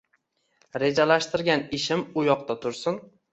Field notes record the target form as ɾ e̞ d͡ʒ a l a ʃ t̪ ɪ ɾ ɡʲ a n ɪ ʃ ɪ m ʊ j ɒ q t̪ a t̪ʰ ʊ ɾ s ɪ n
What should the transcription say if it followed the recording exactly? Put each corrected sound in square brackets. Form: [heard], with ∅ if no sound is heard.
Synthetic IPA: ɾ e̞ d͡ʒ a l a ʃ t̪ ɪ ɾ ɡʲ a n ɪ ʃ ɪ m ʊ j ɒ q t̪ a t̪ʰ ʊ ɾ s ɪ n